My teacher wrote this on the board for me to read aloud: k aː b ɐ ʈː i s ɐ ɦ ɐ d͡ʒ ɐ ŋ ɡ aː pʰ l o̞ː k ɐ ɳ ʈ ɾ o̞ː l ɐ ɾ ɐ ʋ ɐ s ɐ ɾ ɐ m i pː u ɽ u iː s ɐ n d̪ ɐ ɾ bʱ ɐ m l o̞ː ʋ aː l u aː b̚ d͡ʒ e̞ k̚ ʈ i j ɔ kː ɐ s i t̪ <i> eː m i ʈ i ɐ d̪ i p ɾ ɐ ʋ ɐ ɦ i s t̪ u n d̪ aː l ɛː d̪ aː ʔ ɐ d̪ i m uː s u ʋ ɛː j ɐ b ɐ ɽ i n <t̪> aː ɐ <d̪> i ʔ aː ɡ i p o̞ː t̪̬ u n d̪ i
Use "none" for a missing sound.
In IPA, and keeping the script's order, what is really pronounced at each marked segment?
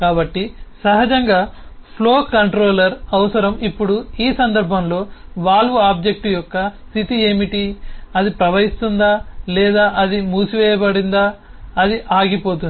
i, d̪, d̪

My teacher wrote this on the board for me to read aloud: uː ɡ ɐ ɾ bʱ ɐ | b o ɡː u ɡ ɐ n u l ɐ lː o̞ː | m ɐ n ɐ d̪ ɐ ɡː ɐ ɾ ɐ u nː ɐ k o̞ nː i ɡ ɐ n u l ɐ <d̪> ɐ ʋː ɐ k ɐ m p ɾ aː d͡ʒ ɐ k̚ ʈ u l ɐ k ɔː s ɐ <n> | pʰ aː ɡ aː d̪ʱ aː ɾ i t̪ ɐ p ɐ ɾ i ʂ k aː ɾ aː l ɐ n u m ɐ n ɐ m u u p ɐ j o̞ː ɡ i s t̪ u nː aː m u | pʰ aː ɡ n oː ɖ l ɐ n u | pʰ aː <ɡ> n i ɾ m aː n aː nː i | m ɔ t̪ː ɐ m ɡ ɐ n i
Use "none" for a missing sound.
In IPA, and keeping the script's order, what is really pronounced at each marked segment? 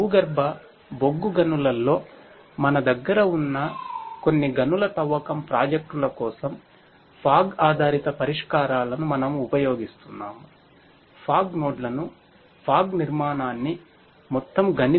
t̪, m, ɡ

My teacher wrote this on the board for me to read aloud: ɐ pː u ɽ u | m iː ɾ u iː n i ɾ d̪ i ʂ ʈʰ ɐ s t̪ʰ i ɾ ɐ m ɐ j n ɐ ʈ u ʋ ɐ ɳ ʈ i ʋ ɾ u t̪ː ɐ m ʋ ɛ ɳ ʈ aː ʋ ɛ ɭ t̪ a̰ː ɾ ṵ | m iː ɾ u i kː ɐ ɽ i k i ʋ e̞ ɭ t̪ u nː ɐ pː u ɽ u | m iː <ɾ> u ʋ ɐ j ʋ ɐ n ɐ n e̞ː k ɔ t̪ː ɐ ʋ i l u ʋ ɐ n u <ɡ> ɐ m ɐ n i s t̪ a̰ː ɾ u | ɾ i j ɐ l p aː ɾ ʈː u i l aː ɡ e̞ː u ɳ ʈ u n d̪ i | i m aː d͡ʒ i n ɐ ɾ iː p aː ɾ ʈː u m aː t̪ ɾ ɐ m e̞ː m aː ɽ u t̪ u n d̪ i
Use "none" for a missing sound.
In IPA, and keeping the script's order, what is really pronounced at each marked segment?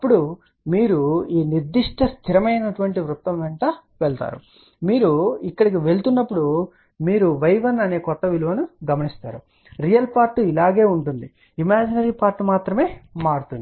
ɾ, ɡ

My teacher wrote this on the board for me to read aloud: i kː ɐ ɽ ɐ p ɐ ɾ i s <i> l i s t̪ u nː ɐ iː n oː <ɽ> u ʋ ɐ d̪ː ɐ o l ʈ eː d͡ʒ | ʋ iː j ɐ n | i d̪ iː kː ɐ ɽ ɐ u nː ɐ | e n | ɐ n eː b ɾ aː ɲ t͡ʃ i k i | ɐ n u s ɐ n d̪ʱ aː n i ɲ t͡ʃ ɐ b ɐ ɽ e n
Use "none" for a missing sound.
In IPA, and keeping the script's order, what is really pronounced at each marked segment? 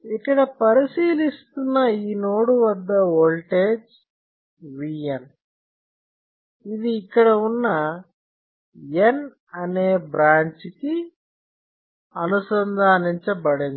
iː, ɽ

